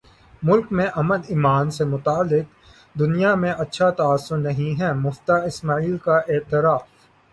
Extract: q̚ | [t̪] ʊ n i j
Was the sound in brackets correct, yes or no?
no